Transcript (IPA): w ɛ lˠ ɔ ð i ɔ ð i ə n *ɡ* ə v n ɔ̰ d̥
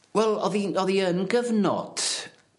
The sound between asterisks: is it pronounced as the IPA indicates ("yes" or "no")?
yes